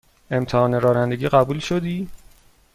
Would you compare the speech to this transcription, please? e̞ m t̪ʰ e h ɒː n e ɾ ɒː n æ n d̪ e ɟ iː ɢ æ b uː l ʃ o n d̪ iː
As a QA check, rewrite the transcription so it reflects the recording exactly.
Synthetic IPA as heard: e̞ m t̪ʰ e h ɒː n e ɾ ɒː n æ n d̪ e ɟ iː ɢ æ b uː l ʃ o d̪ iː

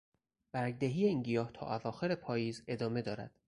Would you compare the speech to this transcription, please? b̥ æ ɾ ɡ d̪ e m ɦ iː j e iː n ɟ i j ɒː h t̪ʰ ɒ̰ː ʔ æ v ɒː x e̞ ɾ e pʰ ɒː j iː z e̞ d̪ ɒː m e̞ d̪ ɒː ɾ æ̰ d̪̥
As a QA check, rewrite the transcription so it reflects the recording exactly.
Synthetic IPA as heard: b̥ æ ɾ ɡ d̪ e ɦ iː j e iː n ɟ i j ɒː h t̪ʰ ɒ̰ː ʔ æ v ɒː x e̞ ɾ e pʰ ɒː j iː z e̞ d̪ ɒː m e̞ d̪ ɒː ɾ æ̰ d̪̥

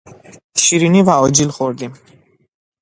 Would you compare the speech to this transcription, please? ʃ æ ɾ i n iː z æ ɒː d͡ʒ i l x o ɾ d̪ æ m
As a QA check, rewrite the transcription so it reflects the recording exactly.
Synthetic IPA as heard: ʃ i ɾ i n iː v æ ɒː d͡ʒ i l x o ɾ d̪ i m

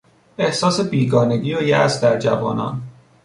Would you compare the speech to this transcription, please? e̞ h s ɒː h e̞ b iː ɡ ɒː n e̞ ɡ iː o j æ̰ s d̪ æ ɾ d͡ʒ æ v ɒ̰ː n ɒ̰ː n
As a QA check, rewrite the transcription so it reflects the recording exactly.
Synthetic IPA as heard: e̞ h s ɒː s e̞ b iː ɡ ɒː n e̞ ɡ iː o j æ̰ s d̪ æ ɾ d͡ʒ æ v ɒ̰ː n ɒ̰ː n

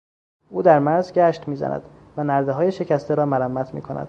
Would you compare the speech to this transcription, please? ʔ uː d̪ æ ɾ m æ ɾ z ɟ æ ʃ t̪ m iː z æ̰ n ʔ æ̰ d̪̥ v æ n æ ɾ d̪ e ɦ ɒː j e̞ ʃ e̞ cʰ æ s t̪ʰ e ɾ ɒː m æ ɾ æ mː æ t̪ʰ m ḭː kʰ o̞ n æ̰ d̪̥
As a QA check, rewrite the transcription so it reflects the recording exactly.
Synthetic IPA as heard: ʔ uː d̪ æ ɾ m æ ɾ z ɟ æ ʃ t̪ m iː z æ̰ n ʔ æ̰ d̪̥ v æ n æ ɾ d̪ e ɦ ɒː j e̞ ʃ e̞ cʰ æ s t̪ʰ e ɾ ɒː m æ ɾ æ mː æ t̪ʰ m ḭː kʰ o̞ n æ̰ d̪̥

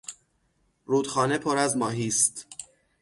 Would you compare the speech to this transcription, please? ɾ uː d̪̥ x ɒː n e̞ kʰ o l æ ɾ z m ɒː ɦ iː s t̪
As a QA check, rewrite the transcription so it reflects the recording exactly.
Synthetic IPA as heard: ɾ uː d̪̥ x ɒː n e̞ pʰ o ɾ æ z m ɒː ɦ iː s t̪

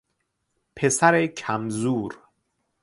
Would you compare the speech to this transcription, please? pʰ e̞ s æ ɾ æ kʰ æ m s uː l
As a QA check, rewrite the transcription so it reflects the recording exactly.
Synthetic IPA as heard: pʰ e̞ s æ ɾ e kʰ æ m z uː ɾ

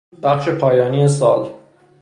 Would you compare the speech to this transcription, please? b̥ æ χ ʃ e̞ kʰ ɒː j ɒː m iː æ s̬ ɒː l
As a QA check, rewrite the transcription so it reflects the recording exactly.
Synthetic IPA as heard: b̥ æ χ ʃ e̞ pʰ ɒː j ɒː n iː e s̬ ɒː l

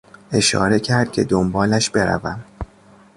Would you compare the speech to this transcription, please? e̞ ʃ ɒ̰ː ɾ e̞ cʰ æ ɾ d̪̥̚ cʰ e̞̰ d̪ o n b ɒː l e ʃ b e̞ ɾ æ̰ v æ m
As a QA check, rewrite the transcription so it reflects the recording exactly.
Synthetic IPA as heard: e̞ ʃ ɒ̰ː ɾ e̞ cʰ æ ɾ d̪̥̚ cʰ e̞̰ d̪ o m b ɒː l æ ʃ b e̞ ɾ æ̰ v æ m

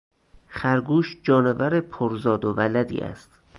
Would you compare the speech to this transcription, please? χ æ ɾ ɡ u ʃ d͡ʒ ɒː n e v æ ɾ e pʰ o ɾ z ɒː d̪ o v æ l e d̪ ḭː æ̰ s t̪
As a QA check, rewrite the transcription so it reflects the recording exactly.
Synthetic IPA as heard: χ æ ɾ ɡ uː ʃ d͡ʒ ɒː n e v æ ɾ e pʰ o ɾ z ɒː d̪ o v æ l æ d̪ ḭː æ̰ s t̪

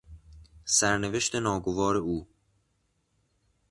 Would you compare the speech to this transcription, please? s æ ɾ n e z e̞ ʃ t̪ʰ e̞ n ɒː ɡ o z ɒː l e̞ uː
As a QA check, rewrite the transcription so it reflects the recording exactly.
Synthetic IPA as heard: s æ ɾ n e v e̞ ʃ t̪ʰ e̞ n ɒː ɡ o v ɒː ɾ e̞ uː

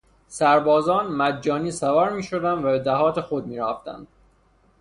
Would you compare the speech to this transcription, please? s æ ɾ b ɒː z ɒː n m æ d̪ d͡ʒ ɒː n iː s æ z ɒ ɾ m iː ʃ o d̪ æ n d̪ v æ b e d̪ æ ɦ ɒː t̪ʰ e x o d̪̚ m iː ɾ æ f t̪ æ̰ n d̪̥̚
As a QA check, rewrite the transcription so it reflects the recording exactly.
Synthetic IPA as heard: s æ ɾ b ɒː z ɒː n m æ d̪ d͡ʒ ɒː n iː s æ v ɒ ɾ m iː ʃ o d̪ æ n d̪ v æ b e d̪ æ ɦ ɒː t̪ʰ e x o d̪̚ m iː ɾ æ f t̪ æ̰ n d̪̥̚

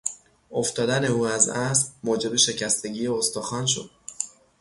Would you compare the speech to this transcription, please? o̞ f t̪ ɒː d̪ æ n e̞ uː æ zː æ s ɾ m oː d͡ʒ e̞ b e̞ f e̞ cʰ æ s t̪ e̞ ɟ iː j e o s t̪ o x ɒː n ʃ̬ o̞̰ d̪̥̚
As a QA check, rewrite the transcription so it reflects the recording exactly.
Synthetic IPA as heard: o̞ f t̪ ɒː d̪ æ n e̞ uː æ z æ s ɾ m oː d͡ʒ e̞ b e̞ ʃ e̞ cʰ æ s t̪ e̞ ɟ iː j e o s t̪ o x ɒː n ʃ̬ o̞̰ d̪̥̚

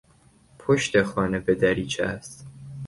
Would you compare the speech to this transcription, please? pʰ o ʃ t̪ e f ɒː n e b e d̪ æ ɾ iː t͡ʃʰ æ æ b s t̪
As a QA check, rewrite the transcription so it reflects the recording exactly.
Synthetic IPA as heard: pʰ o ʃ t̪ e x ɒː n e b e d̪ æ ɾ iː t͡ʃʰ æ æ s t̪

